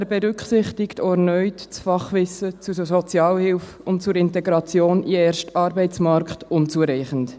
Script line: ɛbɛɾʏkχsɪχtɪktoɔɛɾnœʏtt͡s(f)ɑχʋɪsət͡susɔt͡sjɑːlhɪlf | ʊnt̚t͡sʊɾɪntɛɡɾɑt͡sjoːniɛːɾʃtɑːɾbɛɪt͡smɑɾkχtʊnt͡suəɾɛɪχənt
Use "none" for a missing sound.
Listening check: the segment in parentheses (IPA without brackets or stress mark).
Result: f